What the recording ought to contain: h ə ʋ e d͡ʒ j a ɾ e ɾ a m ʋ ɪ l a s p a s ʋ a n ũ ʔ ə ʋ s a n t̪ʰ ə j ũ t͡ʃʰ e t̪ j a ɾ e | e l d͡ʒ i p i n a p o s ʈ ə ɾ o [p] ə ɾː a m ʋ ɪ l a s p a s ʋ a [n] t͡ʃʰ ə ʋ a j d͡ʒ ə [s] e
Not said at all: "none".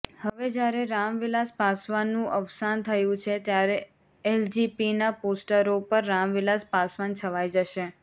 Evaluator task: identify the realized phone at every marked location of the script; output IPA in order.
p, n, ʃ

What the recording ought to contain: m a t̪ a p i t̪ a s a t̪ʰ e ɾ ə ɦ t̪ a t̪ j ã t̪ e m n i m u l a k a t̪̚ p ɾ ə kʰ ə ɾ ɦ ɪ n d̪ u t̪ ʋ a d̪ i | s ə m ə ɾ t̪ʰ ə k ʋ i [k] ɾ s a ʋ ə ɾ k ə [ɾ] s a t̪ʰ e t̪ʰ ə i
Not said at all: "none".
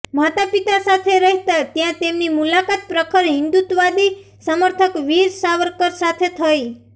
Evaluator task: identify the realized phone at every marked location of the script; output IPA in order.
none, ɾ

